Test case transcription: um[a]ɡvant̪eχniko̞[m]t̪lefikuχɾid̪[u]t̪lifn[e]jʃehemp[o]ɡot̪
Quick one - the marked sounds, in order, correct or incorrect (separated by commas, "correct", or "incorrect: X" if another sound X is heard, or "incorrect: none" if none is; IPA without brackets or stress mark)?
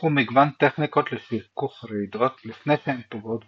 incorrect: i, incorrect: none, incorrect: o, correct, correct